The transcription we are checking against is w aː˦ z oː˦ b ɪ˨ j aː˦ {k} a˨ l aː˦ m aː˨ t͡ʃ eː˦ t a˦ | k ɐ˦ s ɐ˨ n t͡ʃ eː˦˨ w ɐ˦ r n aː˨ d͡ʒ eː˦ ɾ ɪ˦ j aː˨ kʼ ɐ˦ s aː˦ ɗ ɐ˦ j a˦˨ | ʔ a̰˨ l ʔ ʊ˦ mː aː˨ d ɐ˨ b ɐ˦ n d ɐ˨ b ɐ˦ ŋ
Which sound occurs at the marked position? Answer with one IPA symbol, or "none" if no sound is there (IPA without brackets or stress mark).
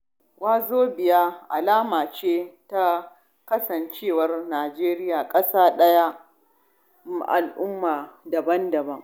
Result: ʔ